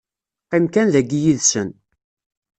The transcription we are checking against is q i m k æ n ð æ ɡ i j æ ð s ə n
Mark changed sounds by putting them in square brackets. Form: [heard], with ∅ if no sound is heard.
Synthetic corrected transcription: q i m k æ n ð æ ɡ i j [i] ð s ə n